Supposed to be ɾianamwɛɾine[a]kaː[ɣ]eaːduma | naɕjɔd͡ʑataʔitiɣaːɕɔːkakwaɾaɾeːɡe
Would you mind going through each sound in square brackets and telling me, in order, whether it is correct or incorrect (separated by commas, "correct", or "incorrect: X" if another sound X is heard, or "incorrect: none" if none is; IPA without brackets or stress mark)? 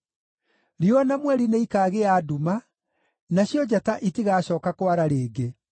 incorrect: i, correct